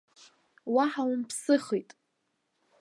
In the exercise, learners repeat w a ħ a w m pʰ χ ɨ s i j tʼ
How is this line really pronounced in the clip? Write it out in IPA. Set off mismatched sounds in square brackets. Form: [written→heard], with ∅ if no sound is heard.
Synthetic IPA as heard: w a ħ a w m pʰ [χ→s] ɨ [s→χ] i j tʼ